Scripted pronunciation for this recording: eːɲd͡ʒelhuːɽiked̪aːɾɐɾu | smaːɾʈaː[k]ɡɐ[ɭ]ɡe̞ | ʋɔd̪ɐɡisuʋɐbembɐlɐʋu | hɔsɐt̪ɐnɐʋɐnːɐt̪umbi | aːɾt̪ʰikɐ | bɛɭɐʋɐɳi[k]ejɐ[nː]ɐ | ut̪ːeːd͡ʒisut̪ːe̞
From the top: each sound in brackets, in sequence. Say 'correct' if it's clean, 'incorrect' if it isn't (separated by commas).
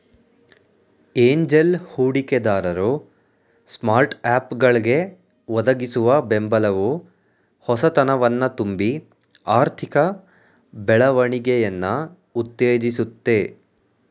incorrect, correct, incorrect, correct